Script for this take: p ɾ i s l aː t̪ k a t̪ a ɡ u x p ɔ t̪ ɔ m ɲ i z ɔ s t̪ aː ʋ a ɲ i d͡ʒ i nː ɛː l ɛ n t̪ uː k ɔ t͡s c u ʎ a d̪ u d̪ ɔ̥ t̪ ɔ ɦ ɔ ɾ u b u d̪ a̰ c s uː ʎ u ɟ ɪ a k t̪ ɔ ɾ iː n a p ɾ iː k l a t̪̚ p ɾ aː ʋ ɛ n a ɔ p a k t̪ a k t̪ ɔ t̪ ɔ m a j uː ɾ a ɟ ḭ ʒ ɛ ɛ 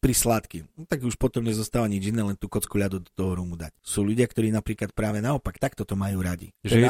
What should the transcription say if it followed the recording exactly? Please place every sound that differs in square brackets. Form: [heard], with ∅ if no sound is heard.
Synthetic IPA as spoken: p ɾ i s l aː t̪ k [i] t̪ a ɡ u [ʃ] p ɔ t̪ ɔ m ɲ [ɛ] z ɔ s t̪ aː ʋ a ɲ i d͡ʒ i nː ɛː l ɛ n t̪ uː k ɔ t͡s [k] u ʎ a d̪ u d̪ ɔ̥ t̪ ɔ ɦ ɔ ɾ u [m] u d̪ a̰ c s uː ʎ u ɟ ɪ a k t̪ ɔ ɾ iː n a p ɾ iː k l a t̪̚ p ɾ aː ʋ ɛ n a ɔ p a k t̪ a k t̪ ɔ t̪ ɔ m a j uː ɾ a ɟ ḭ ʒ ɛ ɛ